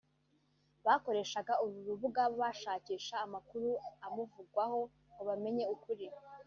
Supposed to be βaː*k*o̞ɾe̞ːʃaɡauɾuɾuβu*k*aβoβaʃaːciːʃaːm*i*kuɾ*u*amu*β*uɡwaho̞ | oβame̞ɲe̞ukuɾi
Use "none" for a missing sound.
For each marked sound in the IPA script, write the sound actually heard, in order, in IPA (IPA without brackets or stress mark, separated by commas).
k, ɡ, a, u, v